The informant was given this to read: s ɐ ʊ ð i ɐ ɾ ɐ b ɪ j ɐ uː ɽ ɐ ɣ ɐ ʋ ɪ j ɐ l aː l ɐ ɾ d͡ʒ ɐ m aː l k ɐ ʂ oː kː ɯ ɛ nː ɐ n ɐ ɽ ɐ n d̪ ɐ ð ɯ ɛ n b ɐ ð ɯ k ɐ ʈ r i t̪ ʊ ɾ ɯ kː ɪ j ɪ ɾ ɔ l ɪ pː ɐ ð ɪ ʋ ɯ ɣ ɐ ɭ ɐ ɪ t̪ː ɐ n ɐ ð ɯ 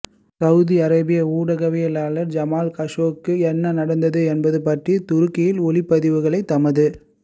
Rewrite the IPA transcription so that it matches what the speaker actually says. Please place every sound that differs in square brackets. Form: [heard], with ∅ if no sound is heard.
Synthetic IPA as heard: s ɐ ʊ ð i ɐ ɾ ɐ b ɪ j ɐ uː ɽ ɐ ɣ ɐ ʋ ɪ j ɐ l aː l ɐ ɾ d͡ʒ ɐ m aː l k ɐ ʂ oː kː ɯ ɛ nː ɐ n ɐ ɽ ɐ n d̪ ɐ ð ɯ ɛ n b ɐ ð ɯ [p] ɐ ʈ r i t̪ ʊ ɾ ɯ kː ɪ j ɪ [l] ɔ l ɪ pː ɐ ð ɪ ʋ ɯ ɣ ɐ ɭ ɐ ɪ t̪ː ɐ [m] ɐ ð ɯ